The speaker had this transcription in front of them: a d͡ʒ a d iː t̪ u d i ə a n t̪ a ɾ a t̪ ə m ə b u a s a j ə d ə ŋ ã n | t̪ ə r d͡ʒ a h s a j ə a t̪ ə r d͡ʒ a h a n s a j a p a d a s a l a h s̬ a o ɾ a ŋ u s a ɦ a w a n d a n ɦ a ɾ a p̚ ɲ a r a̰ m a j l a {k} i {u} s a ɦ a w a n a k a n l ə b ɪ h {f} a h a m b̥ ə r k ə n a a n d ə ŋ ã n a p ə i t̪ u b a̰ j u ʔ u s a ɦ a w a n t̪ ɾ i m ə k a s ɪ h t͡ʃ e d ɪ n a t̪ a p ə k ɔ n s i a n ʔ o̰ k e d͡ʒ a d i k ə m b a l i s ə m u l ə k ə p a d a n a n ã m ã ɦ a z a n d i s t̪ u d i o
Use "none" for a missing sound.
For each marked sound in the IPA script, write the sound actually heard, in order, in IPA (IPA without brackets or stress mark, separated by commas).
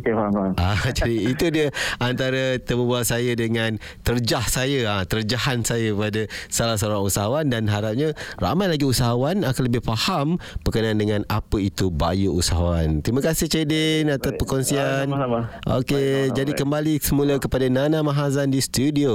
ɡ, u, f